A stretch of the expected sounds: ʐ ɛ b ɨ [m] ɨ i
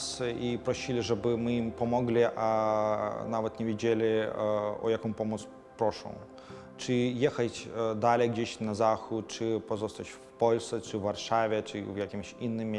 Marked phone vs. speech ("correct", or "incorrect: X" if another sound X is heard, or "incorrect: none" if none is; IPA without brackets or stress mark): correct